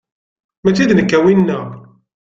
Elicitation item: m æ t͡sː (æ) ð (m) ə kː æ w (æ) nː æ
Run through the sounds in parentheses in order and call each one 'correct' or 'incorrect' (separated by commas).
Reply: incorrect, incorrect, incorrect